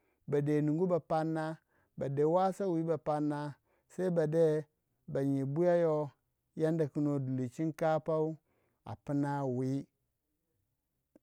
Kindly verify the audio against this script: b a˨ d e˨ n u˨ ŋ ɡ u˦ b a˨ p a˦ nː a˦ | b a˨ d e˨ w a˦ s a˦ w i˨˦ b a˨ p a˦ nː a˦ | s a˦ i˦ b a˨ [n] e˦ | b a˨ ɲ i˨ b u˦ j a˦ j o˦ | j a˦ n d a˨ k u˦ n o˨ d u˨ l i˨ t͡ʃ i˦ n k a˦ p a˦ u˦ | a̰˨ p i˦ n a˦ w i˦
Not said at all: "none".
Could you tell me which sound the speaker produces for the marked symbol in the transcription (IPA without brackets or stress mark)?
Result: d